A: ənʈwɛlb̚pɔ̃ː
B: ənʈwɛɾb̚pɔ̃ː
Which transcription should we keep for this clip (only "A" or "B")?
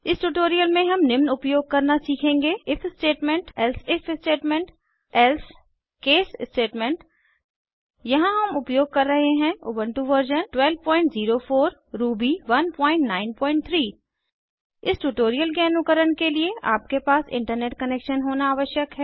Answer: A